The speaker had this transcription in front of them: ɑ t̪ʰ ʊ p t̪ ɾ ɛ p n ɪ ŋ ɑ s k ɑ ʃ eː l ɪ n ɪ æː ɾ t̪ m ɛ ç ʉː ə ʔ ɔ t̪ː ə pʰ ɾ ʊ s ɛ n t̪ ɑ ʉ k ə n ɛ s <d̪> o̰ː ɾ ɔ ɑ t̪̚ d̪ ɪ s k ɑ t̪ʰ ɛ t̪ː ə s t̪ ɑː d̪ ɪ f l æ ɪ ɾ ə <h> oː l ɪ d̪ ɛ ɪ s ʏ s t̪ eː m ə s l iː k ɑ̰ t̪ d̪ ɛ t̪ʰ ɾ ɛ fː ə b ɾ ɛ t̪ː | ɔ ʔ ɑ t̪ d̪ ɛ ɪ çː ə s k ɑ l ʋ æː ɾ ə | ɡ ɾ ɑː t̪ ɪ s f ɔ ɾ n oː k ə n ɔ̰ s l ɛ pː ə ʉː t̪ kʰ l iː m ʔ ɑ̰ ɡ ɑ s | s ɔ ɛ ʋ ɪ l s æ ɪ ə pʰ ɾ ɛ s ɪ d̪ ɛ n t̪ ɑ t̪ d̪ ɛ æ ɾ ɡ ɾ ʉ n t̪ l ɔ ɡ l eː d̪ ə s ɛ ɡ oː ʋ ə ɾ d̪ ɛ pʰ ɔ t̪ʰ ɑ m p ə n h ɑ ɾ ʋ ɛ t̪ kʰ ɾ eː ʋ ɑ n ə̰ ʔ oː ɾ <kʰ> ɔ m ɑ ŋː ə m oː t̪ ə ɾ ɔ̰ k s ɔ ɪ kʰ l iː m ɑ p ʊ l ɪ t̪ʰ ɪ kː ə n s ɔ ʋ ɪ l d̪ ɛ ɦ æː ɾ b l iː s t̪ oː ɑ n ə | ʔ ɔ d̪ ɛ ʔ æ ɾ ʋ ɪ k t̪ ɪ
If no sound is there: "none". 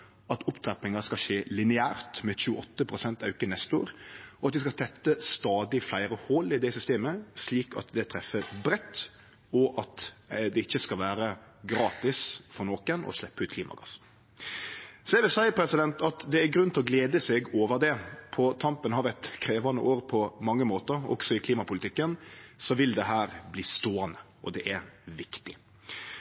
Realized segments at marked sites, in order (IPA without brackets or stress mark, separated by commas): t̪, h, pʰ